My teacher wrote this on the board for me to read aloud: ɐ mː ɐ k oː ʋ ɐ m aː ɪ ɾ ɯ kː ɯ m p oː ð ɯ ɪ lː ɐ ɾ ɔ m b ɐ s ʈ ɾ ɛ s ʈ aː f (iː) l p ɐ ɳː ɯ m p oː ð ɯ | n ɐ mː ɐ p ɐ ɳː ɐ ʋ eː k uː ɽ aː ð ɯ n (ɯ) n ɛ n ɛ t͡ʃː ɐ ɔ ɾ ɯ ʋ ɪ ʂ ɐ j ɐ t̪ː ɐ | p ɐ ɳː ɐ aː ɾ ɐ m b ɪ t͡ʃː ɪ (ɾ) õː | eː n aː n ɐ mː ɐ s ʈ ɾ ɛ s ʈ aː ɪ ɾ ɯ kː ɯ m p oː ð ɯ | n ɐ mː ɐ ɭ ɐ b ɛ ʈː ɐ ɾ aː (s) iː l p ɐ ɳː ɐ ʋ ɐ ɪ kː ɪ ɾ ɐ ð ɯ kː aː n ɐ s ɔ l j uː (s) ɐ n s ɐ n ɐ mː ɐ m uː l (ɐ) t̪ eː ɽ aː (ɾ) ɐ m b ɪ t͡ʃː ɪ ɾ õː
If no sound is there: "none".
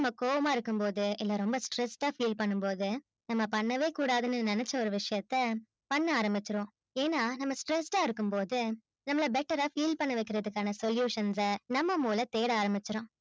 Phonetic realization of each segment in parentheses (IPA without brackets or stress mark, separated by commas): iː, ɯ, ɾ, f, ʂ, ɐ, ɾ